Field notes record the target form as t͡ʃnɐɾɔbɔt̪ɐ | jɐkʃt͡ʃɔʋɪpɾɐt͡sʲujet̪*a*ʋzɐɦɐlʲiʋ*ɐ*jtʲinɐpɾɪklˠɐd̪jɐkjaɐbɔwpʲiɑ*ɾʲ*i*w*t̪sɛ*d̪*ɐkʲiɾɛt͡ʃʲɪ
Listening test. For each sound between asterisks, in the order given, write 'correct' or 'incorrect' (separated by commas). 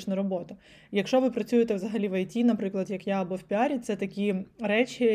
incorrect, correct, correct, incorrect, incorrect